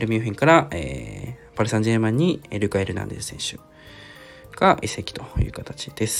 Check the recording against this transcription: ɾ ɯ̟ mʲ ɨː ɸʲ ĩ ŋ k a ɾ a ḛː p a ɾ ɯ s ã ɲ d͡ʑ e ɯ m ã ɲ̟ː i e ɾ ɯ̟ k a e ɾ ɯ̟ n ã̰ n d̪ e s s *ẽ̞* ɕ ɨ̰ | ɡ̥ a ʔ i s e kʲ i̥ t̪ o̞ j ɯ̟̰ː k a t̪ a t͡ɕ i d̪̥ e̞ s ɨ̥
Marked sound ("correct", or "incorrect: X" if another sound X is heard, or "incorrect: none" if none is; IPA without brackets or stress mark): correct